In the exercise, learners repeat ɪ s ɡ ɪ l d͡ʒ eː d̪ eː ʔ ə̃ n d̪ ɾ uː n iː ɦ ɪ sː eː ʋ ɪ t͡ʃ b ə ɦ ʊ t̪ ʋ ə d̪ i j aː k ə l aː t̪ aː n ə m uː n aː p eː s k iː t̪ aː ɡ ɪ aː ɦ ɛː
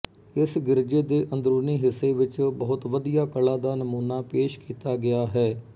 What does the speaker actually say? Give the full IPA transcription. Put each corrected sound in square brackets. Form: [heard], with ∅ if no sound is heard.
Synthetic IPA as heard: ɪ s ɡ ɪ [ɾ] d͡ʒ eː d̪ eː ʔ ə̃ n d̪ ɾ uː n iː ɦ ɪ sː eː ʋ ɪ t͡ʃ b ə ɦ ʊ t̪ ʋ ə d̪ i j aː k ə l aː [d̪] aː n ə m uː n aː p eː [ʃ] k iː t̪ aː ɡ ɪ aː ɦ ɛː